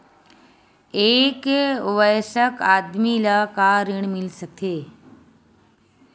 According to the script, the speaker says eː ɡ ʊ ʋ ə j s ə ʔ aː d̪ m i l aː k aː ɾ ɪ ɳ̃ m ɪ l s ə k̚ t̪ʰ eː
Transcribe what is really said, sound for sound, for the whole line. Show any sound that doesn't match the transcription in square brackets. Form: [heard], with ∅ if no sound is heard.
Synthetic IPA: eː [k] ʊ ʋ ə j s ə [k] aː d̪ m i l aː k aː ɾ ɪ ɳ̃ m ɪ l s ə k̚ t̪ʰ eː